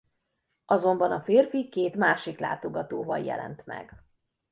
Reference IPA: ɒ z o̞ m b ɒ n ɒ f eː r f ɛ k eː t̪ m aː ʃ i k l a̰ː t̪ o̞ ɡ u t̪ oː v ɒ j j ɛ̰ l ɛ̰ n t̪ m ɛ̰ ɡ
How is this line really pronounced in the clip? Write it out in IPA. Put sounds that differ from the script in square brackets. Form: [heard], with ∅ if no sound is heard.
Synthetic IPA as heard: ɒ z o̞ m b ɒ n ɒ f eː r f [i] k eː t̪ m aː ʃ i k l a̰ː t̪ o̞ ɡ [ɒ] t̪ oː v ɒ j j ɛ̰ l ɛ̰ n t̪ m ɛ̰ ɡ

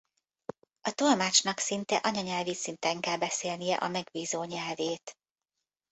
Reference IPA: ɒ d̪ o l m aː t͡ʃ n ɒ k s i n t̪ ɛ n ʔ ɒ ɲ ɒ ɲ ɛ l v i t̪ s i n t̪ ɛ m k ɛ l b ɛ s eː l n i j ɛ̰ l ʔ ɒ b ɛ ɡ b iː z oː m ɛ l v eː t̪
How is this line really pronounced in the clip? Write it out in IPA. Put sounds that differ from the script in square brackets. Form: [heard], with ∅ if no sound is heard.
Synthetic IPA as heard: ɒ [t̪] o l m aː t͡ʃ n ɒ k s i n t̪ ɛ [∅] ʔ ɒ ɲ ɒ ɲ ɛ l v i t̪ s i n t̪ ɛ [ŋ] k ɛ l b ɛ s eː l n i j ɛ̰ [∅] ʔ ɒ [m] ɛ ɡ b iː z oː [ɲ] ɛ l v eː t̪

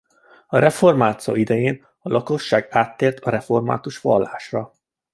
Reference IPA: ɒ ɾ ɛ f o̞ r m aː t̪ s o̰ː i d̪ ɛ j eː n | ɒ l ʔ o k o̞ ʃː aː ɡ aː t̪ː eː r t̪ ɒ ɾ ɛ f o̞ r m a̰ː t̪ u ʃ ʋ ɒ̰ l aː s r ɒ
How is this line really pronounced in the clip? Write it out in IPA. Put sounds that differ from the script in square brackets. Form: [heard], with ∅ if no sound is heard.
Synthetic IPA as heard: ɒ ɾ ɛ f o̞ r m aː t̪ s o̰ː i d̪ ɛ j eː n | ɒ l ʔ [ɒ] k o̞ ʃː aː ɡ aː t̪ː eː r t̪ ɒ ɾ ɛ f o̞ r m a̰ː t̪ u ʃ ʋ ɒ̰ [lː] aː [ʃ] r ɒ

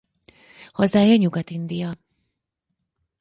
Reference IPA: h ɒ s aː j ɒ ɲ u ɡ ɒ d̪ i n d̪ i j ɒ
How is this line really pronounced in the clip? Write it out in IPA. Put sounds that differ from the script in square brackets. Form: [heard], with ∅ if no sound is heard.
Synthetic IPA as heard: h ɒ [z] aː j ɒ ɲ u ɡ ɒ [t̪] i n d̪ i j ɒ

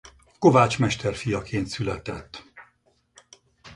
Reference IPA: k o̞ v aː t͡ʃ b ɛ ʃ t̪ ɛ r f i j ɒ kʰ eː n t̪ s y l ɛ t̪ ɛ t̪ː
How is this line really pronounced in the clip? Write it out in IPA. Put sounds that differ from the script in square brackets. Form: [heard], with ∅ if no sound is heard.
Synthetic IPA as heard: k o̞ v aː t͡ʃ [m] ɛ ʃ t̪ ɛ r f i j ɒ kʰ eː n t̪ s y l ɛ t̪ ɛ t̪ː

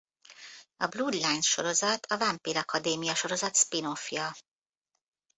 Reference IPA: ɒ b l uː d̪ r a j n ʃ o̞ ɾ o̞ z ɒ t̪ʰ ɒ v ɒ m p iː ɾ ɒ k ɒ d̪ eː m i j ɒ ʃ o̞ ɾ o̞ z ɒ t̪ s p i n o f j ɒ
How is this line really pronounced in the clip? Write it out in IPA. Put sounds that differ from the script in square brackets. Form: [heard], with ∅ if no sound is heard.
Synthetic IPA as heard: ɒ b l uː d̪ [l] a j n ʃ o̞ ɾ o̞ z ɒ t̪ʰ ɒ v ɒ m p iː ɾ ɒ k ɒ d̪ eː m i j ɒ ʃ o̞ ɾ o̞ z ɒ t̪ s p i n o f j ɒ

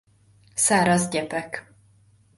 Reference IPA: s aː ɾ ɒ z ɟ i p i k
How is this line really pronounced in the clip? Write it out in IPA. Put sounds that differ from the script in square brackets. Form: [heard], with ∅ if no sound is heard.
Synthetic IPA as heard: s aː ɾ ɒ z ɟ [ɛ] p [ɛ] k

